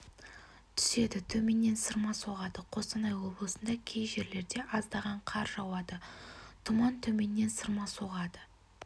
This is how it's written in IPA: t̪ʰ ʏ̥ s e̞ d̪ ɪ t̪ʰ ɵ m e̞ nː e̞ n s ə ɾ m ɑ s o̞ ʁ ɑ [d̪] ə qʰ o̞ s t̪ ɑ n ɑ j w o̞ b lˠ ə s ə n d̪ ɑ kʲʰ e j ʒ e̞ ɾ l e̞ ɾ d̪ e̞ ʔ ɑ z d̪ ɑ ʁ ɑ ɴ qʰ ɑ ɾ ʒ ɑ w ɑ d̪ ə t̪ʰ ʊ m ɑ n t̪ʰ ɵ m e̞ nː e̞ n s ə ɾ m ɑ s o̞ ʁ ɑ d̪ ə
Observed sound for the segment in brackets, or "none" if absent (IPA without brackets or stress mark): d̪